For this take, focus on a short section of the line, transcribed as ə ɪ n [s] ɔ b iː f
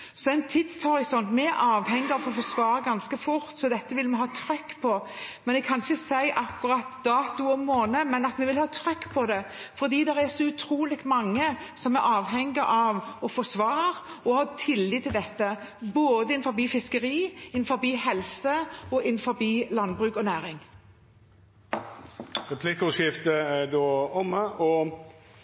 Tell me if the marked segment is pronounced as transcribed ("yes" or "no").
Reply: no